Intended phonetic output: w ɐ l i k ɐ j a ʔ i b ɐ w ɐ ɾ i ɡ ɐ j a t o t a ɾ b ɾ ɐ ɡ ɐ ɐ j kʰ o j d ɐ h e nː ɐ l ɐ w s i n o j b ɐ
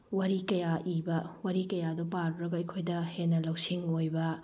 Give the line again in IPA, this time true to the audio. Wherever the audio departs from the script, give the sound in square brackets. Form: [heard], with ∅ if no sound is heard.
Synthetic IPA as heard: w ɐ [ɾ] i k ɐ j a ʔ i b ɐ w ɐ ɾ i [k] ɐ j a [d] o [p] a ɾ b ɾ ɐ ɡ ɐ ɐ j kʰ o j d ɐ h e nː ɐ l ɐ w s i [ŋ] o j b ɐ